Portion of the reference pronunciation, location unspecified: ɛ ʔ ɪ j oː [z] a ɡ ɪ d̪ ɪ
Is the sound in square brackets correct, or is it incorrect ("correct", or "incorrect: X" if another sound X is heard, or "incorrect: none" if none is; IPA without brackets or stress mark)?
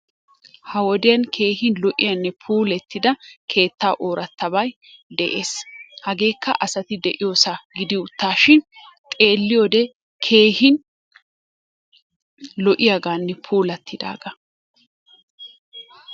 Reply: incorrect: s